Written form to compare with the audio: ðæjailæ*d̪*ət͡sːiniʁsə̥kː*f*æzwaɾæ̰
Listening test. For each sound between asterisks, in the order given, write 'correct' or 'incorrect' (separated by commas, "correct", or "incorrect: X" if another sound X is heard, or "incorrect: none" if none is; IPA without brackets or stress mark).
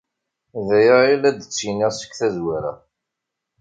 correct, incorrect: θ